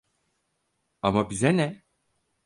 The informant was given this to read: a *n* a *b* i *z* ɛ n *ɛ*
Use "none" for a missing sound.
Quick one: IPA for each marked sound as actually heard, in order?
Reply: m, b, z, ɛ

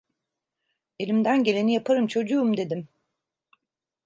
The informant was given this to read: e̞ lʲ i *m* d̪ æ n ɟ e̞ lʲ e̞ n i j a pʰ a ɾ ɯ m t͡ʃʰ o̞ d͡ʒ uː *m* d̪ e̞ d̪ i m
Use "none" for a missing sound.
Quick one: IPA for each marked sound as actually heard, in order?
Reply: m, m

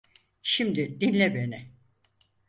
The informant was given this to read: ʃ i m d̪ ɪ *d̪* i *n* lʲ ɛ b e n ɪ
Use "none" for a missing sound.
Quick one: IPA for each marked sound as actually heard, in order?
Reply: d̪, n

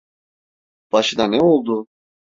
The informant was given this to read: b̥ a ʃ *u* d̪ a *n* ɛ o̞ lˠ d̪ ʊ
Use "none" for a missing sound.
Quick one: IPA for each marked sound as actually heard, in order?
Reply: ɯ, n

